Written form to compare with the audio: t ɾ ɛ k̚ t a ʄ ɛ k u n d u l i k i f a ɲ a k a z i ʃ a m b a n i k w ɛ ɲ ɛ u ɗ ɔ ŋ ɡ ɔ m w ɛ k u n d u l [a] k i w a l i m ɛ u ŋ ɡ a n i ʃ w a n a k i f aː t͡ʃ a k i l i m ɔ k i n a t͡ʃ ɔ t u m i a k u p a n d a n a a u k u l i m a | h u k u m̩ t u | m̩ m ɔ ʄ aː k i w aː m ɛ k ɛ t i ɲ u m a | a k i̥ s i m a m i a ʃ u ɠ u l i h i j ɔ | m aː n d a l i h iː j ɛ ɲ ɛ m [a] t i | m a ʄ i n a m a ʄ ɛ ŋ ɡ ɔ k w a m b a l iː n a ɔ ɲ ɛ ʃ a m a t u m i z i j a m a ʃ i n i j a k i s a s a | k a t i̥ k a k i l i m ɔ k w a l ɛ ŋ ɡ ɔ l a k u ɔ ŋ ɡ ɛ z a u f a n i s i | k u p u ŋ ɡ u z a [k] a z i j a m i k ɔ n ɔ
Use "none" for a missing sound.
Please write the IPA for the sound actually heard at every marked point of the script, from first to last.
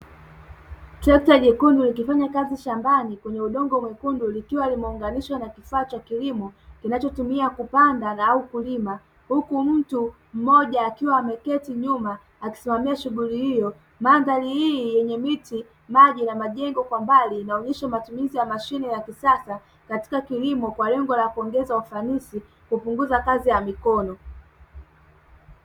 i, i, k

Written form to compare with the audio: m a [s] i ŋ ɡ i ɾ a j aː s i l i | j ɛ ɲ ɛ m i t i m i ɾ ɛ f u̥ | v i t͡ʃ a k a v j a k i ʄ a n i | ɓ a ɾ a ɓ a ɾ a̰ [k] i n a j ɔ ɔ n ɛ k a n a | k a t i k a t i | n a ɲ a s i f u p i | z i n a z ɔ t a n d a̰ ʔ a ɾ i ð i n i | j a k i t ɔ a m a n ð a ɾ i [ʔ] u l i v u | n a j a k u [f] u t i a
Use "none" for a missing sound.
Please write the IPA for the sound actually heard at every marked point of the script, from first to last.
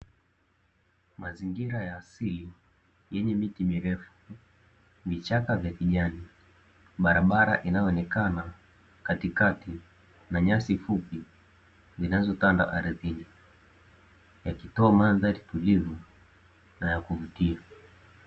z, ʔ, t, v

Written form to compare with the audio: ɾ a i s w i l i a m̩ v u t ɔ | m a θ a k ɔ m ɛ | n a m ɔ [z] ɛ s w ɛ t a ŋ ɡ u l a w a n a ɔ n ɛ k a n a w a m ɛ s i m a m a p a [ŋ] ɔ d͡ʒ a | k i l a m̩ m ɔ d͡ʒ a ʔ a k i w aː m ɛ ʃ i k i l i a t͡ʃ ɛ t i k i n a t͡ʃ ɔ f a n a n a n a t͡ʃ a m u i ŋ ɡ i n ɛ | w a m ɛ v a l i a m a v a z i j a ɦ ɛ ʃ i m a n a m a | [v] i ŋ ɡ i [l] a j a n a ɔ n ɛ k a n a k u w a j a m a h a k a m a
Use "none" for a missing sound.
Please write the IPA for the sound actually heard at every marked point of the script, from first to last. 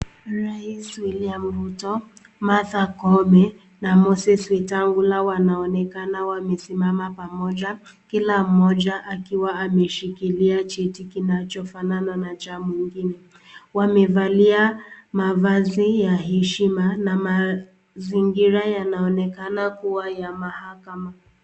s, m, z, ɾ

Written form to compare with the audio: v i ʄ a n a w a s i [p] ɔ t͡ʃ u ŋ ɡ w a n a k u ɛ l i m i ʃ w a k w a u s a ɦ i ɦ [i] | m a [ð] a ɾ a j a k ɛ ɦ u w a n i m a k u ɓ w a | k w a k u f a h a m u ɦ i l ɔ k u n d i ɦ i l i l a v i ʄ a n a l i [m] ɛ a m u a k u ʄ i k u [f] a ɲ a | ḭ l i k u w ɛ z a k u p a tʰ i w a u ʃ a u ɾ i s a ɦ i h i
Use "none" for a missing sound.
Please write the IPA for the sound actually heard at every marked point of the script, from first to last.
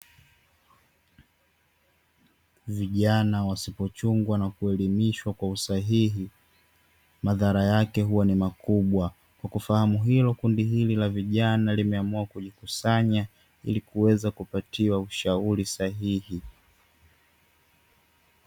p, i, ð, m, s

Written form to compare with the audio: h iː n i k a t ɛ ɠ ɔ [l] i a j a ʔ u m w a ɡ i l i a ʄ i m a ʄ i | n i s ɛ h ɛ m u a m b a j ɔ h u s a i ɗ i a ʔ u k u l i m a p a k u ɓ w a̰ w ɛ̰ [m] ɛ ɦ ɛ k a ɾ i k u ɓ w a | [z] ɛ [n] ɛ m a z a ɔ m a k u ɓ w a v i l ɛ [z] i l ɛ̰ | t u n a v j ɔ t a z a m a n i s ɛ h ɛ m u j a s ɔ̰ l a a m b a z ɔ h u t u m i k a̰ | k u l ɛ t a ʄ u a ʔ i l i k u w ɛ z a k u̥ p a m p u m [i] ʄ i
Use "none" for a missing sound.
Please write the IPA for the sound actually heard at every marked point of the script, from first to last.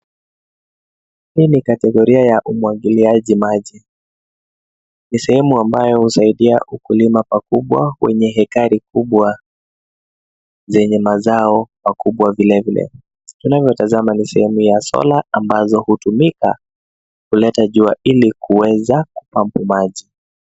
ɾ, ɲ, z, ɲ, v, a

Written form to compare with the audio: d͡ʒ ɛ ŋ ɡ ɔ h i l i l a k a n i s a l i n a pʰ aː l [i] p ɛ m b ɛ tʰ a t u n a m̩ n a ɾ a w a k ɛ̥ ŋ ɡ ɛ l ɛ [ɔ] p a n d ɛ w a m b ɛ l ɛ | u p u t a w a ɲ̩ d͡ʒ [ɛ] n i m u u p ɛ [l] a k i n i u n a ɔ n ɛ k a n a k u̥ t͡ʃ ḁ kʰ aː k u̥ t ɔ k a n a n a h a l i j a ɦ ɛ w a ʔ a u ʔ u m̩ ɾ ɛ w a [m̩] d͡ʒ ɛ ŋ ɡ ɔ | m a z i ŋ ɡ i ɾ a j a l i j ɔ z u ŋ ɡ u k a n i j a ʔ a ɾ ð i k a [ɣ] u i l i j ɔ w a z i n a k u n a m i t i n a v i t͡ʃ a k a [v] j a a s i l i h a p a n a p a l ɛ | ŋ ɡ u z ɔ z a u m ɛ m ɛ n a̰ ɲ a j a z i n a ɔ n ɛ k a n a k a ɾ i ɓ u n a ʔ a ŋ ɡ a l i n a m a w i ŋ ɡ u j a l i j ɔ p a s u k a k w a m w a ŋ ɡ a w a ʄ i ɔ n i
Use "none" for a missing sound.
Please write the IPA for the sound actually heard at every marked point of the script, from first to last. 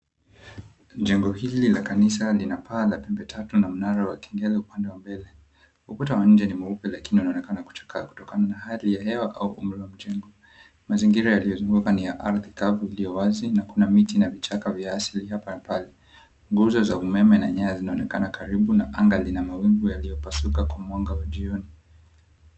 a, u, ɛ, l, m̩, v, v

